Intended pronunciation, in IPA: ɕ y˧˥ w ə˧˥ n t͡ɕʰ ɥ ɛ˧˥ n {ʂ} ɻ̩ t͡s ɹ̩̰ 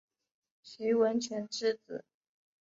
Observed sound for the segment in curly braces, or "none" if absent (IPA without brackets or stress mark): ʈ͡ʂ